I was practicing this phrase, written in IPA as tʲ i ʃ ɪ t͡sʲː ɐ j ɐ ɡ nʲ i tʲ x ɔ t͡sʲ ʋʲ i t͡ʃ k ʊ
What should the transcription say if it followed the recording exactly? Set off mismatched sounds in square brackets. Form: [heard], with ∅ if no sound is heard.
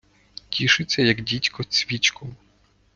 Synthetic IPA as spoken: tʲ i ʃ ɪ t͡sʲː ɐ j ɐ ɡ [dʲ] i tʲ [k] ɔ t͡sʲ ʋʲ i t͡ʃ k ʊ